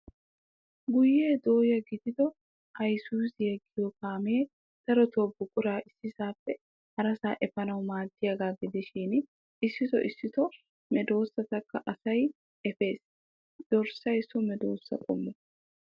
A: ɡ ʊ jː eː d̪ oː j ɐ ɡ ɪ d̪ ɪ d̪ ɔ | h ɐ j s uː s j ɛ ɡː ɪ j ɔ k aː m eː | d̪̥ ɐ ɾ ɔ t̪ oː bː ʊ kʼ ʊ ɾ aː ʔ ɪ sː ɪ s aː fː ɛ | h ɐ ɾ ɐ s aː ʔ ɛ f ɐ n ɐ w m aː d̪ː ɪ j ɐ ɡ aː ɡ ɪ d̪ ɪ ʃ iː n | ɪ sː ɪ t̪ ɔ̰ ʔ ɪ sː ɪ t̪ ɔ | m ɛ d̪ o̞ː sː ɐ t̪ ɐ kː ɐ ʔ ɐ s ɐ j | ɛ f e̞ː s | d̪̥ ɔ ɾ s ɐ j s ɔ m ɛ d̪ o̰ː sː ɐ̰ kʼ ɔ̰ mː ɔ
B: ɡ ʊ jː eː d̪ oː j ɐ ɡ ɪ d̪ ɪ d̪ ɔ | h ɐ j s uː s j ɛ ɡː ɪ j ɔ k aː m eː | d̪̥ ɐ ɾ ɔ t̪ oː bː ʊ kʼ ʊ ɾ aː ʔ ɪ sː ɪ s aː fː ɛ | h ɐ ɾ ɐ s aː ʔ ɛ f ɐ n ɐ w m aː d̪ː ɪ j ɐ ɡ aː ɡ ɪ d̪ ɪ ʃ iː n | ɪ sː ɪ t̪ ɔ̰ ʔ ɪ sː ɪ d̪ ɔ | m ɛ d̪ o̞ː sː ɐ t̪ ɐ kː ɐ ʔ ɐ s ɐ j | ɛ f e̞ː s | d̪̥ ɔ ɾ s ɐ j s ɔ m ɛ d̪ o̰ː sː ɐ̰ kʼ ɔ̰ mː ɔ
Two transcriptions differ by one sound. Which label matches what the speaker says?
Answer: A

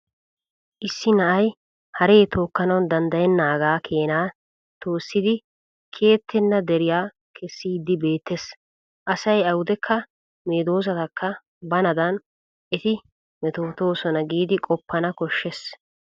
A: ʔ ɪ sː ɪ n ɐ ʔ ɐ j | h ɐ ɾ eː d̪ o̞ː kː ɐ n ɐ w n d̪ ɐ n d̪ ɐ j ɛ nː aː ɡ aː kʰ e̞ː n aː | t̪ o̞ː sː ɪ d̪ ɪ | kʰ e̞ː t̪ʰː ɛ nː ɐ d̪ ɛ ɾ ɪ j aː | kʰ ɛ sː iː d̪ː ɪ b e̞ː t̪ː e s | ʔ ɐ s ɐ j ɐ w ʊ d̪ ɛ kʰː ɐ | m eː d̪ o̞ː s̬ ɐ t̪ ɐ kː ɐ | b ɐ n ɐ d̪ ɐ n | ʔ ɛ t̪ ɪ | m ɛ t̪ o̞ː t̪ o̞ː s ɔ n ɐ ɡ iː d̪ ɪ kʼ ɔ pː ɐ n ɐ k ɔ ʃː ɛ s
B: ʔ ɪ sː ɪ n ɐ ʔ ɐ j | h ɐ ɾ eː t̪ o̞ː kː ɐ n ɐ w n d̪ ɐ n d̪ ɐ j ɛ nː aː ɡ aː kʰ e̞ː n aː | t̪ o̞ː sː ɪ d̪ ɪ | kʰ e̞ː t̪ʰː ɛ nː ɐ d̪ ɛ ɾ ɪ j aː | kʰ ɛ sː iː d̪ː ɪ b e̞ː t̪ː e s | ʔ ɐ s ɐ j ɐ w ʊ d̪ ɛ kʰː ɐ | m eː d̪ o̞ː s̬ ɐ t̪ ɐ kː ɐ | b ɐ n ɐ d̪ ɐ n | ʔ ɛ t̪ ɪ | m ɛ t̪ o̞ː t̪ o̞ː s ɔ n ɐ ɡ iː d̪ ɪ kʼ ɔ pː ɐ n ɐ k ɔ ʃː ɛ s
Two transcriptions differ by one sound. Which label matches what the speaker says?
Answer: B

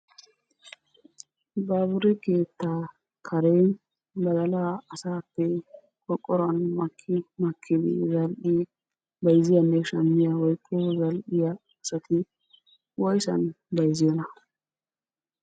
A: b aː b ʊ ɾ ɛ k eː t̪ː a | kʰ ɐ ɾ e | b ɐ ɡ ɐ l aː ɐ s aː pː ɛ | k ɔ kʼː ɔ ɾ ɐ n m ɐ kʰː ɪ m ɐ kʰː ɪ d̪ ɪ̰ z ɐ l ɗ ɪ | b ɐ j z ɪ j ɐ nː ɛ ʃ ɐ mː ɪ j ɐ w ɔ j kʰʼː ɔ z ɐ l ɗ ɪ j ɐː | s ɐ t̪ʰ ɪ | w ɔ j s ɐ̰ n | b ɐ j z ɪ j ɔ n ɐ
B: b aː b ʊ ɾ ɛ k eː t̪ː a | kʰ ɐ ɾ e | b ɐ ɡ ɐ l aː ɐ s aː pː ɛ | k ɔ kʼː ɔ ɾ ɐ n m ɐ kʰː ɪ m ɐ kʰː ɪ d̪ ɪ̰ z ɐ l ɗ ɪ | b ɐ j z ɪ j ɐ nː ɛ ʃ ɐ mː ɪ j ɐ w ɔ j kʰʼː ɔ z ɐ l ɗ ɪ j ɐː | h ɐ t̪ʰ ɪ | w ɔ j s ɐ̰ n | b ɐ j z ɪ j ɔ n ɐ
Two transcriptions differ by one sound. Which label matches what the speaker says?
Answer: A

